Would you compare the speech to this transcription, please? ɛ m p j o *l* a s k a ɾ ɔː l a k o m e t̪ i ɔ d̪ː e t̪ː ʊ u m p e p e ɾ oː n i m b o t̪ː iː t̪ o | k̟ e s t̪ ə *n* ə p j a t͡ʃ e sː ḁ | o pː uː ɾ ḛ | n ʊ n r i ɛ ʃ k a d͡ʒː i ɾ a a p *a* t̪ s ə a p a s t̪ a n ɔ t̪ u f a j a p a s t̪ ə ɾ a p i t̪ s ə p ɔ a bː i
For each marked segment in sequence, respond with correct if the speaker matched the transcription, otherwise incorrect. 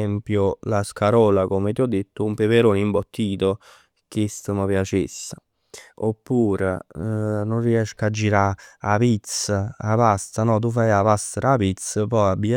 correct, incorrect, incorrect

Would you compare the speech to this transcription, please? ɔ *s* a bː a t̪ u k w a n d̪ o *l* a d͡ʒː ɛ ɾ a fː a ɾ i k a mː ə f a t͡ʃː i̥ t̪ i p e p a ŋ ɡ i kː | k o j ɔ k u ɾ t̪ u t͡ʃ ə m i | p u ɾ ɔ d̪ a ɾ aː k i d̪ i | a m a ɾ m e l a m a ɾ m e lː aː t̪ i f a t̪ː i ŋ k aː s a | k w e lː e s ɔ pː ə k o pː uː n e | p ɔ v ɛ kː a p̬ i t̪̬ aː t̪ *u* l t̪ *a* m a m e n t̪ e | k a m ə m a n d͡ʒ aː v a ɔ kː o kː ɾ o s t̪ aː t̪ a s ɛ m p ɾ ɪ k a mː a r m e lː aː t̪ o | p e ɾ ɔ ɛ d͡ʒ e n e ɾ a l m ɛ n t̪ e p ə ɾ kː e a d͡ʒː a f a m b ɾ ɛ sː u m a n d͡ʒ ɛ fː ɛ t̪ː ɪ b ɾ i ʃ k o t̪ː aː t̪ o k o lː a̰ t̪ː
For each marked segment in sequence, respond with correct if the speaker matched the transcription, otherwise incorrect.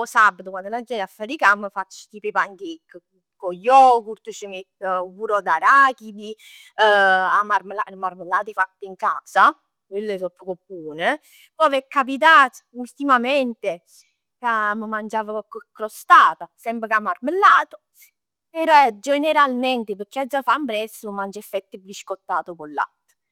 correct, correct, correct, incorrect

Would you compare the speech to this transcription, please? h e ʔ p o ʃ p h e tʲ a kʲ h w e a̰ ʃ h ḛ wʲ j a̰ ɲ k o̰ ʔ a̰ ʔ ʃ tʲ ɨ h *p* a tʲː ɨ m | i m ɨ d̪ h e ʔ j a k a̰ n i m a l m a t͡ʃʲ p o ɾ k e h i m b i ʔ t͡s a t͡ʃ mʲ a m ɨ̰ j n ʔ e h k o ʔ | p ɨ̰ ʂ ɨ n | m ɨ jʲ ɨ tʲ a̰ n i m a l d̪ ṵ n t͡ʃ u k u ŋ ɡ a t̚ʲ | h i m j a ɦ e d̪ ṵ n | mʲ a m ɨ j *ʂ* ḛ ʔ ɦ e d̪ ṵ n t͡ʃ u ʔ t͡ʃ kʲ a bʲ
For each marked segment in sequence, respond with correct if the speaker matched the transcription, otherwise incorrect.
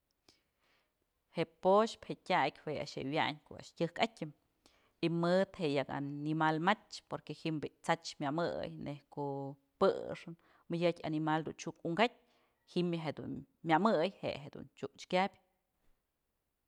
incorrect, incorrect

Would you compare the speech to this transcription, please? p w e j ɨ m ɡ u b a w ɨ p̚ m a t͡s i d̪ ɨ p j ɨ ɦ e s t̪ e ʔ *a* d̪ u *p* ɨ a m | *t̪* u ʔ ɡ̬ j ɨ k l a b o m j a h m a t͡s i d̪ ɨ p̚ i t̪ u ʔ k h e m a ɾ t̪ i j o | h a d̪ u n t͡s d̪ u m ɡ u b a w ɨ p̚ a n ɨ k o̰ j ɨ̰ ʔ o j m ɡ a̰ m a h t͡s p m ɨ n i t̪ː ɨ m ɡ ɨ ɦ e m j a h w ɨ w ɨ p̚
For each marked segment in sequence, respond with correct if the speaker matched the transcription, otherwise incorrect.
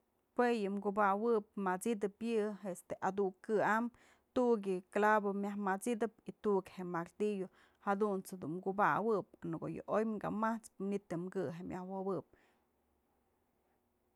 correct, incorrect, correct

